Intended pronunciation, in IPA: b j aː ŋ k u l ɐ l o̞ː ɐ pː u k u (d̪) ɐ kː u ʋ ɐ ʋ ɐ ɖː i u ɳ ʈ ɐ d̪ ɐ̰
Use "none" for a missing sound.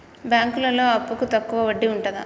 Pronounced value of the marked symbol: t̪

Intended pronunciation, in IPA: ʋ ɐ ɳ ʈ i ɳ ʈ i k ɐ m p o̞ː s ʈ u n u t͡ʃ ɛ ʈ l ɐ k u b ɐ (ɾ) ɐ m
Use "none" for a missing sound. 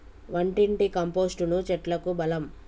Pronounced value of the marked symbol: l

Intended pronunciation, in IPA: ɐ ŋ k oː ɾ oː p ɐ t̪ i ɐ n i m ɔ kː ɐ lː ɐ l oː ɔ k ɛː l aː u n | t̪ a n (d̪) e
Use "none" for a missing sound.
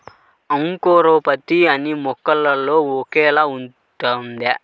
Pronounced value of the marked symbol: d̪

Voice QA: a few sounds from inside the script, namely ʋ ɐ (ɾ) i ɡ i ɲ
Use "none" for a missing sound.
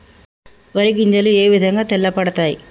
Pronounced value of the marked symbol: ɾ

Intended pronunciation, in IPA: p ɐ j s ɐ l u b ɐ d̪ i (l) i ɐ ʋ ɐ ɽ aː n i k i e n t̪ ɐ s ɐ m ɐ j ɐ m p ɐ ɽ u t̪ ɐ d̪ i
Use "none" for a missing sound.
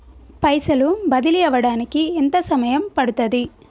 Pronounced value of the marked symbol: l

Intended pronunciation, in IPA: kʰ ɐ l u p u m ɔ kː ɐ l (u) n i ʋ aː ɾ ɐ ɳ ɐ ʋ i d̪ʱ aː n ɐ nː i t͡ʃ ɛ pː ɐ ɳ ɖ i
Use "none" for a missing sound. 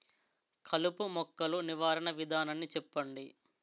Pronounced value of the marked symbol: u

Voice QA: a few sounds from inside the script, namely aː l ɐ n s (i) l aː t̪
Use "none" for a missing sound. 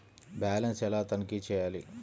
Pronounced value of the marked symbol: ɛ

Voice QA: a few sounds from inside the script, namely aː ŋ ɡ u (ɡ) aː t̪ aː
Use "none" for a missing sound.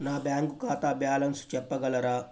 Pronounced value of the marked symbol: k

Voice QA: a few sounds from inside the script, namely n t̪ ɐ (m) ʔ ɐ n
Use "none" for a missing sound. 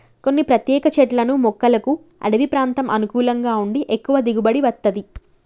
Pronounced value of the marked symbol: m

